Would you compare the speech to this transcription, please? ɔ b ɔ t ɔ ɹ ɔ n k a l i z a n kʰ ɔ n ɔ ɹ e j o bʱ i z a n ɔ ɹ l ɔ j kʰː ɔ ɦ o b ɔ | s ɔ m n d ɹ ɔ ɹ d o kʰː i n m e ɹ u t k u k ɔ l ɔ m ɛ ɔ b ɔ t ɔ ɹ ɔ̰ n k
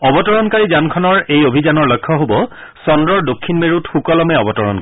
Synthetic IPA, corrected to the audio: ɔ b ɔ t ɔ ɹ ɔ n k a ɹ i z a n kʰ ɔ n ɔ ɹ e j o bʱ i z a n ɔ ɹ l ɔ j kʰː ɔ ɦ o b ɔ | s ɔ n d ɹ ɔ ɹ d o kʰː i n m e ɹ u t x u k ɔ l ɔ m ɛ ɔ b ɔ t ɔ ɹ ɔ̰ n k

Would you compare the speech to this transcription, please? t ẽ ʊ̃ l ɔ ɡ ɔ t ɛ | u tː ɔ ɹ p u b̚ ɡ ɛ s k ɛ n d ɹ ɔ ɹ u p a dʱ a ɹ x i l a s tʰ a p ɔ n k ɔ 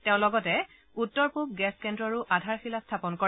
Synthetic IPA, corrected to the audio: t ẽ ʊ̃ l ɔ ɡ ɔ t ɛ | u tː ɔ ɹ p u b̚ ɡ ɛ s k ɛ n d ɹ ɔ ɹ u ʔ a dʱ a ɹ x i l a s tʰ a p ɔ n k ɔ

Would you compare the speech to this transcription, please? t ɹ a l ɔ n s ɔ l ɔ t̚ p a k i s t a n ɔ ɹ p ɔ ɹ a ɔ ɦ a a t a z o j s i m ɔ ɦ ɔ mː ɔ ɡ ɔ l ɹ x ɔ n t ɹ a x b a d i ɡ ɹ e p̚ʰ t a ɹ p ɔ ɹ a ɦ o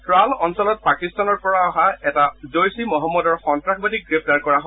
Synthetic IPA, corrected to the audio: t ɹ a l ɔ n s ɔ l ɔ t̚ p a k i s t a n ɔ ɹ p ɔ ɹ a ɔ ɦ a ɛ t a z o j s i m ɔ ɦ ɔ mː ɔ d ɔ ɹ x ɔ n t ɹ a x b a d i ɡ ɹ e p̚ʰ t a ɹ k ɔ ɹ a ɦ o

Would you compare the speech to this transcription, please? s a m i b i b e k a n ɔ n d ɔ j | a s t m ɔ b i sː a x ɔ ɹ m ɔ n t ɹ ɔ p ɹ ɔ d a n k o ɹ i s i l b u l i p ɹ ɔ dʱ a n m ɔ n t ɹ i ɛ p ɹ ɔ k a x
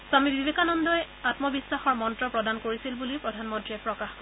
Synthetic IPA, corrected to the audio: s a m i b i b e k a n ɔ n d ɔ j | a t m ɔ b i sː a x ɔ ɹ m ɔ n t ɹ ɔ p ɹ ɔ d a n k o ɹ i s i l b u l i p ɹ ɔ dʱ a n m ɔ n t ɹ i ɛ p ɹ ɔ k a x

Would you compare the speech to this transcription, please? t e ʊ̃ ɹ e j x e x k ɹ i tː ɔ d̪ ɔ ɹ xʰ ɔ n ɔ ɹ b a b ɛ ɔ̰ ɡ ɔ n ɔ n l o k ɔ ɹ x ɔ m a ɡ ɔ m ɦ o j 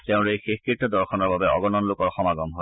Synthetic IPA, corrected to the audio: t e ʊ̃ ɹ e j x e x k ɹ i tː ɔ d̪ ɔ ɹ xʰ ɔ n ɔ ɹ b a b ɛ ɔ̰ ɡ ɔ n ɔ n l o k ɔ ɹ x ɔ m a ɡ ɔ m ɦ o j

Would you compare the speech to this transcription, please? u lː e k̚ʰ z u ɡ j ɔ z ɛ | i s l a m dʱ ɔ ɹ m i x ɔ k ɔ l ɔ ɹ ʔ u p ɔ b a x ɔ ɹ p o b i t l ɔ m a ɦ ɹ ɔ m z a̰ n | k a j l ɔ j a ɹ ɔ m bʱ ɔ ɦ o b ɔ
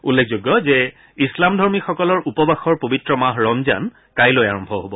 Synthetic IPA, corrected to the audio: u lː e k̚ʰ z o ɡ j ɔ z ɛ | i s l a m dʱ ɔ ɹ m i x ɔ k ɔ l ɔ ɹ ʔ u p ɔ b a x ɔ ɹ p o b i t ɹ ɔ m a ɦ ɹ ɔ m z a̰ n | k a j l o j a ɹ ɔ m bʱ ɔ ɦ o b ɔ

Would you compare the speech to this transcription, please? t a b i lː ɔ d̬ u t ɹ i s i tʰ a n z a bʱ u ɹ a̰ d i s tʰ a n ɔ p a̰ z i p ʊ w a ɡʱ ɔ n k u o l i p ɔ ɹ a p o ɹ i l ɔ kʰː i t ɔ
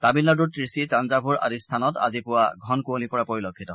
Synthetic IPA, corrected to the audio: t a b i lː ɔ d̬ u t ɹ i s i t a n z a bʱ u ɹ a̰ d i s tʰ a n ɔ t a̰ z i p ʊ w a ɡʱ ɔ n k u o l i p ɔ ɹ a p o ɹ i l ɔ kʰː i t ɔ

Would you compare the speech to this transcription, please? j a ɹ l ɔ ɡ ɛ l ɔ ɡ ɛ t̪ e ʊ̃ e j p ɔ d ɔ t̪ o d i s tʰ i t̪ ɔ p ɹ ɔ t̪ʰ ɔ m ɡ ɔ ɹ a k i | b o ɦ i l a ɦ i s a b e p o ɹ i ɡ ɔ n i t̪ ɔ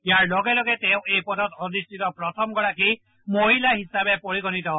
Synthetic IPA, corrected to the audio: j a ɹ l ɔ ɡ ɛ l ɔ ɡ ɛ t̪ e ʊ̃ e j p ɔ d ɔ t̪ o d i s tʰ i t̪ ɔ p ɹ ɔ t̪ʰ ɔ m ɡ ɔ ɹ a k i | m o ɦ i l a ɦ i s a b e p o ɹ i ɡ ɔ n i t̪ ɔ

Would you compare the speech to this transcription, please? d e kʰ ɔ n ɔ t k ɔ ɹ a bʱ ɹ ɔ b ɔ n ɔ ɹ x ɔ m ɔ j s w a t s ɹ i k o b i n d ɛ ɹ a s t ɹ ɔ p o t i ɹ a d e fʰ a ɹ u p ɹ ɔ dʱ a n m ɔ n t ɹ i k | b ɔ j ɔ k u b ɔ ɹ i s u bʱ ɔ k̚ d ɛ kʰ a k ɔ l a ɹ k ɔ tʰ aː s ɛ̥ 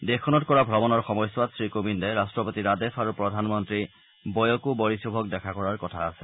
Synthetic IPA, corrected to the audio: d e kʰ ɔ n ɔ t k ɔ ɹ a bʱ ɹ ɔ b ɔ n ɔ ɹ x ɔ m ɔ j s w a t s ɹ i k o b i n d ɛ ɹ a s t ɹ ɔ p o t i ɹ a d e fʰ a ɹ u p ɹ ɔ dʱ a n m ɔ n t ɹ i | b ɔ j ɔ k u b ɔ ɹ i s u bʱ ɔ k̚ d ɛ kʰ a k ɔ ɹ a ɹ k ɔ tʰ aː s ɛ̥

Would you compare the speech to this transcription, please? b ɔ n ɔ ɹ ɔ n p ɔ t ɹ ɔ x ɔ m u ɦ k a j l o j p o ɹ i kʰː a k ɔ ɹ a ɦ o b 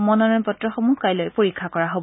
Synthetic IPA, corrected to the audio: m ɔ n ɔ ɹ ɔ n p ɔ t ɹ ɔ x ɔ m u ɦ k a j l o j p o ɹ i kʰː a k ɔ ɹ a ɦ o b

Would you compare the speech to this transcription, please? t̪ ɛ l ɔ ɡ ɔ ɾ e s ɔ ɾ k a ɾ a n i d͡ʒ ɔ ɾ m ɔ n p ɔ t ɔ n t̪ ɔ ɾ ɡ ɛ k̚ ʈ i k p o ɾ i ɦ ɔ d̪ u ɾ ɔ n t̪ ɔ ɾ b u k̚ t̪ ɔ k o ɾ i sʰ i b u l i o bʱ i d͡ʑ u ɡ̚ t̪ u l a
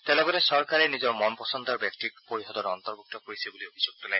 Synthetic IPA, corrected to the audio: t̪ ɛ l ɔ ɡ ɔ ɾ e s ɔ ɾ k a ɾ e n i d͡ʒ ɔ ɾ m ɔ n p ɔ s ɔ n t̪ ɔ ɾ b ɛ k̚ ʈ i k p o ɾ i ɦ ɔ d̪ ɔ ɾ ɔ n t̪ ɔ ɾ b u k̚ t̪ ɔ k o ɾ i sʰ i b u l i o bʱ i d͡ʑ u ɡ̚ t̪ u l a

